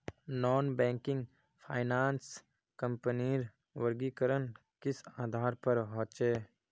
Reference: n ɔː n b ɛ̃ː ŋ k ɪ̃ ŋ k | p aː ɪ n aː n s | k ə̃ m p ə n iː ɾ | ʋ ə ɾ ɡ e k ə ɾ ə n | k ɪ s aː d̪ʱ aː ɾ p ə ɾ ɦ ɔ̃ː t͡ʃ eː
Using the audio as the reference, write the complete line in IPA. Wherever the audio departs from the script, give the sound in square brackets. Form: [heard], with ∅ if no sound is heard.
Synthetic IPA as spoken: n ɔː n b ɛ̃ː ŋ k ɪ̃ ŋ [ɡ] | [pʰ] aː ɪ n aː n s | k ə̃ m p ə n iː ɾ | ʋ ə ɾ ɡ [i] k ə ɾ ə n | k ɪ s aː d̪ʱ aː ɾ p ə ɾ ɦ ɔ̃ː t͡ʃ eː